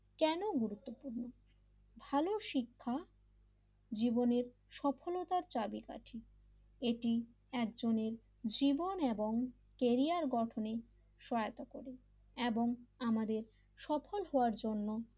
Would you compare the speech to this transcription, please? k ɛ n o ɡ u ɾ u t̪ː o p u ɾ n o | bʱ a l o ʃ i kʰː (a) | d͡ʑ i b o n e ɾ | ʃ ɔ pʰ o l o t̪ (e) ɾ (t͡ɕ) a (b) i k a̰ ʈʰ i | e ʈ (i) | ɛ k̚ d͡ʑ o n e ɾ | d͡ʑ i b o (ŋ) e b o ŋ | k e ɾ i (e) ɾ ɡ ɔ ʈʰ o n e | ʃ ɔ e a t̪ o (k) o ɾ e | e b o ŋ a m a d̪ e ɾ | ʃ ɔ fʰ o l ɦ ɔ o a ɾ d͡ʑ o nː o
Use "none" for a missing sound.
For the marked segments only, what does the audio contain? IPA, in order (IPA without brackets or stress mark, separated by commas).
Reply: a, a, t͡ɕ, b, i, n, a, k